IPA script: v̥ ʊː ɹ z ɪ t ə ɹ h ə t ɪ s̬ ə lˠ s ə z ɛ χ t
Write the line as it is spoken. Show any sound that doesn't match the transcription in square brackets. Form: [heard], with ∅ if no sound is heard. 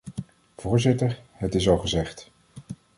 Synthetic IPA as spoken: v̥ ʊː ɹ z ɪ t ə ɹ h ə t ɪ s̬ [ɑ] lˠ [χ] ə z ɛ χ t